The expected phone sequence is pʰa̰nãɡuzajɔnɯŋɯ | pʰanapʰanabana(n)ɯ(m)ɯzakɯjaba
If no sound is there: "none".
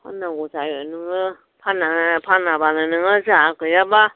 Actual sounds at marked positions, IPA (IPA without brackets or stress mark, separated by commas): n, ŋ